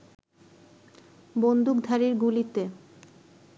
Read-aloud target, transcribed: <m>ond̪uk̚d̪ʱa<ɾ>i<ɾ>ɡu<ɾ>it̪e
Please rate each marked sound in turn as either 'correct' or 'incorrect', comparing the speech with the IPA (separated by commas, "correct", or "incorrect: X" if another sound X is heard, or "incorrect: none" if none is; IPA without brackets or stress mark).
incorrect: b, correct, correct, incorrect: l